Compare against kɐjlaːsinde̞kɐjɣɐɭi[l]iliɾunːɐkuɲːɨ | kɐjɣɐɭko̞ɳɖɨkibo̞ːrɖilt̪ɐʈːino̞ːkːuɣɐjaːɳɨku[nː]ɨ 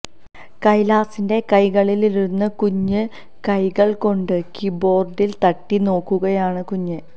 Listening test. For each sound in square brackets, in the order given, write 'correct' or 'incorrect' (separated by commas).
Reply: correct, incorrect